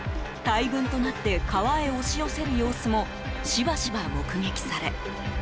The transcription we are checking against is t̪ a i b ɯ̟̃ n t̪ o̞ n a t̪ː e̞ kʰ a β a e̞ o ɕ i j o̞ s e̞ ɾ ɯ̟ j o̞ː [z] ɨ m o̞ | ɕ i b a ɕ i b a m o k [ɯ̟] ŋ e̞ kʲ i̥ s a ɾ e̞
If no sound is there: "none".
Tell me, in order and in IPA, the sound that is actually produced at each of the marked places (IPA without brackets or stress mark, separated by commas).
s, ɯ̟